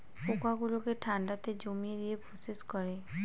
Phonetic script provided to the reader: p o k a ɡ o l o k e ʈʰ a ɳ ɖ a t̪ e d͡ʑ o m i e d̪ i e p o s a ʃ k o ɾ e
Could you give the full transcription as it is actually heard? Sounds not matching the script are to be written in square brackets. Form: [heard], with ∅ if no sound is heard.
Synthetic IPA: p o k a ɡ [u] l o k e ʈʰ a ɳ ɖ a t̪ e d͡ʑ o m i e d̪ i e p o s [e] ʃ k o ɾ e